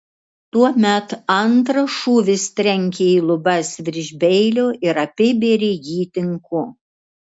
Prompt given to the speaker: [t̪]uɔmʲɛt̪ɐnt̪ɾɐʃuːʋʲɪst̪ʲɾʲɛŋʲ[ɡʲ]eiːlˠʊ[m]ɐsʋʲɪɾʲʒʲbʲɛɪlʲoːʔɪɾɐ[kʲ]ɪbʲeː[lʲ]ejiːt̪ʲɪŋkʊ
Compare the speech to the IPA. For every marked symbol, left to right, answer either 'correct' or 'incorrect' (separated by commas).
correct, incorrect, incorrect, incorrect, incorrect